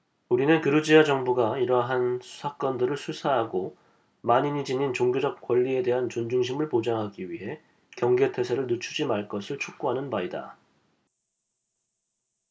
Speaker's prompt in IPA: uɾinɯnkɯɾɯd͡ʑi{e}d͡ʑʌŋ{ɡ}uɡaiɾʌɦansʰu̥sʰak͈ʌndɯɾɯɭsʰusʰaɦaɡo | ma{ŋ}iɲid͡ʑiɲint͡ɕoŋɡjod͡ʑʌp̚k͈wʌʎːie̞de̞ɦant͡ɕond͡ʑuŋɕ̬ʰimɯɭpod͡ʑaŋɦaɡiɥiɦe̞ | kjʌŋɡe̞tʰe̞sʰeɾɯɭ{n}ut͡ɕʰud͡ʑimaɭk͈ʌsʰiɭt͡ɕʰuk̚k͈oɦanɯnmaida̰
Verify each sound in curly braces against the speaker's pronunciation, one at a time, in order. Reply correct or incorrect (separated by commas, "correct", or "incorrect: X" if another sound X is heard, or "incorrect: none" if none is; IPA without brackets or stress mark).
incorrect: a, incorrect: b, incorrect: ɲ, correct